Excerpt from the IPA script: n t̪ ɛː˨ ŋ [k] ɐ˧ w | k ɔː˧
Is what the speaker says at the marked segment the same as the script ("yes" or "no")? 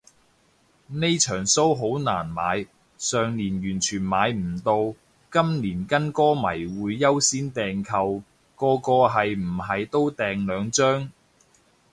no